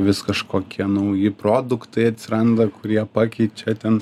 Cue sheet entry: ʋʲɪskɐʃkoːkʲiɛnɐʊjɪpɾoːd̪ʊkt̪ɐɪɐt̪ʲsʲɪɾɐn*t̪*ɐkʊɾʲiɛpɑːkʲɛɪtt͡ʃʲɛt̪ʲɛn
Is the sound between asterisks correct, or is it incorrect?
incorrect